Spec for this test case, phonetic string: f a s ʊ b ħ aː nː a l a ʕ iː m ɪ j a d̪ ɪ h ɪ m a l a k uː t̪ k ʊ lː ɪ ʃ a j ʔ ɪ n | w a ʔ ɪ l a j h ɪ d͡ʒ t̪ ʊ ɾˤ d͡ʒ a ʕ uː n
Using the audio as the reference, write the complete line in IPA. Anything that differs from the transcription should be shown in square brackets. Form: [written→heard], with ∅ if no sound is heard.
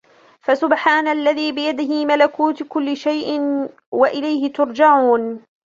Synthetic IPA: f a s ʊ b ħ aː [nː→n] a [l→lː] a [ʕ→ð] iː [m→b] ɪ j a d̪ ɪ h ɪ m a l a k uː t̪ k ʊ lː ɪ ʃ a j ʔ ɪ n | w a ʔ ɪ l a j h ɪ [d͡ʒ→∅] t̪ ʊ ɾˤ d͡ʒ a ʕ uː n